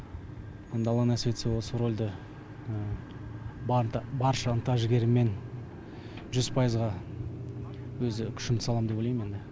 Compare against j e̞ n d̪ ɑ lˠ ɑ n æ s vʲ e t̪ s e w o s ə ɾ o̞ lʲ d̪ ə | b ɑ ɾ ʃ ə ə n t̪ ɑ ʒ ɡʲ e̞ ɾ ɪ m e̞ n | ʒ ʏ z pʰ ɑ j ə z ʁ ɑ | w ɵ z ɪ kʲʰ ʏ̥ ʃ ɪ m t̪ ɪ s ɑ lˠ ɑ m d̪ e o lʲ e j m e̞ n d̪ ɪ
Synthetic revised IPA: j e̞ n d̪ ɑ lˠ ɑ n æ s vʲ e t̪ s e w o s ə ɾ o̞ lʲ d̪ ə | b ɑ ɾ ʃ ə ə n t̪ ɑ ʒ ɡʲ e̞ ɾ ɪ m e̞ n | ʒ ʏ z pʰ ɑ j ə z ʁ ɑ | w ɵ z ɪ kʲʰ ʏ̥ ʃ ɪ m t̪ ɪ s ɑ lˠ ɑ m d̪ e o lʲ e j m e̞ n d̪ ɪ